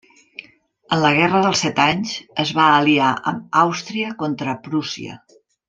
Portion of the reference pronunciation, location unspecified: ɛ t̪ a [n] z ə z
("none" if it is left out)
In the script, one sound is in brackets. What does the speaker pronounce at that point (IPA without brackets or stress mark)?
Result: ɲ